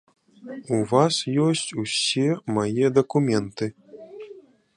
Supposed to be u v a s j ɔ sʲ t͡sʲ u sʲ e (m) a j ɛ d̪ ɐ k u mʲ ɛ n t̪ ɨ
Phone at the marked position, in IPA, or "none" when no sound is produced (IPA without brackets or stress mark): m